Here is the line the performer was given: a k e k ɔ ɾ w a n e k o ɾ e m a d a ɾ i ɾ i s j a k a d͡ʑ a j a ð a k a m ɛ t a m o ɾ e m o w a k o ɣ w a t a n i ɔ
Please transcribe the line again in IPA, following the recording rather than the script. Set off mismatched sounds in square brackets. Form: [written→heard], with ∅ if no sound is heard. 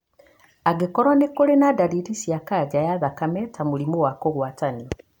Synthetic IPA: a [k→ɡ] e k ɔ ɾ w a n e k o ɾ e [m→n] a d a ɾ i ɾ i s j a k a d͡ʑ a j a ð a k a m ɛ t a m o ɾ [e→i] m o w a k o ɣ w a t a n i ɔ